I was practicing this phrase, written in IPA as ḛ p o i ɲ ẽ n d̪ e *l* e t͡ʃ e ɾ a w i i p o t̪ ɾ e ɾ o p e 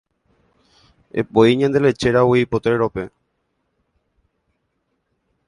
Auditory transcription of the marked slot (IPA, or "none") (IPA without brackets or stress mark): l